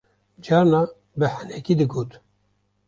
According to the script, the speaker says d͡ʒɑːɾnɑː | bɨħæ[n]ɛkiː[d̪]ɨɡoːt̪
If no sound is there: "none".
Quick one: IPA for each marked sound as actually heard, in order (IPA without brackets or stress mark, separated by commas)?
n, d̪